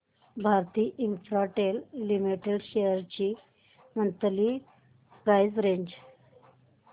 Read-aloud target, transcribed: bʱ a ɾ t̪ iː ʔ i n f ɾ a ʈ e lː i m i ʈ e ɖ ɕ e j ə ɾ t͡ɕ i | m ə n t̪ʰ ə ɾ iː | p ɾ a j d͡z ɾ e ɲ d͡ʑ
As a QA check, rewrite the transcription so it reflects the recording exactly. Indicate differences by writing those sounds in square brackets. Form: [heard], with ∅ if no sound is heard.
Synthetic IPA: bʱ a ɾ t̪ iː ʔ i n f ɾ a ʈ e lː i m i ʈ e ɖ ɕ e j ə ɾ t͡ɕ i | m ə n [t̪] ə [l] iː | p ɾ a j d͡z ɾ e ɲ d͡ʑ